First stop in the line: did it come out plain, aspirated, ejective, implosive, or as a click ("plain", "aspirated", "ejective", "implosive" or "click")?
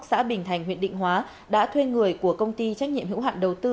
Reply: implosive